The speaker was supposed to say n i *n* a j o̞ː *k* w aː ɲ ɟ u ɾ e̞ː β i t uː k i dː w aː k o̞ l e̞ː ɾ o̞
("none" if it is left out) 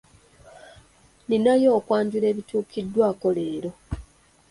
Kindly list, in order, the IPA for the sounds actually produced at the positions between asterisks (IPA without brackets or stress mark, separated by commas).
n, k